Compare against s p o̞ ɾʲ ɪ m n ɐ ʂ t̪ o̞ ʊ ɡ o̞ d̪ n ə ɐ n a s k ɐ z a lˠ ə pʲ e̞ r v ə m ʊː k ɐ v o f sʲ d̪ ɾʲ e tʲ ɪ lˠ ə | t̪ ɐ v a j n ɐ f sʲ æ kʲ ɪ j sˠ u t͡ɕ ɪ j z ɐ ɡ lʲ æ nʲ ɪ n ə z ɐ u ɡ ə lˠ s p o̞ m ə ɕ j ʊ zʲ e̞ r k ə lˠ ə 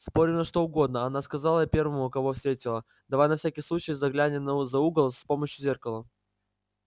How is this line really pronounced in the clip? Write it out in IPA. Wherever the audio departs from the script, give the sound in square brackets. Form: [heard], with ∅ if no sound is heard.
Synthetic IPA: s p o̞ ɾʲ ɪ m n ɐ ʂ t̪ o̞ ʊ ɡ o̞ d̪ n ə ɐ n a s k ɐ z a lˠ ə pʲ e̞ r v ə m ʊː k ɐ v o f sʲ [t̪] ɾʲ e tʲ ɪ lˠ ə | [d̪] ɐ v a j n ɐ f sʲ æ kʲ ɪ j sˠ u t͡ɕ ɪ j z ɐ ɡ lʲ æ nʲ ɪ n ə z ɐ u ɡ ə lˠ s p o̞ m ə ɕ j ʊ zʲ e̞ r k ə lˠ ə